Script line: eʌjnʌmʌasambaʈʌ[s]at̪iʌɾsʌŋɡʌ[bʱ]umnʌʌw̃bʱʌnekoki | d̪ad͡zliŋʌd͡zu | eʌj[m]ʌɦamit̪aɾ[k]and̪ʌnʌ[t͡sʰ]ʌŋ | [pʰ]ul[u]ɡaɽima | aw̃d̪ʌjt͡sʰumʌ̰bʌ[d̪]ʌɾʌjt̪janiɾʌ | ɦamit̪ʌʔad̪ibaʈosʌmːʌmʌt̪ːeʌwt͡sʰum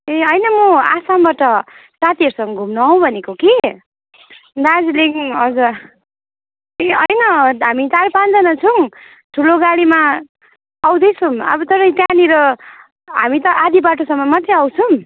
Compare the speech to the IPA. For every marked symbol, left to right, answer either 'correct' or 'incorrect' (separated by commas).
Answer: correct, incorrect, incorrect, incorrect, correct, incorrect, incorrect, incorrect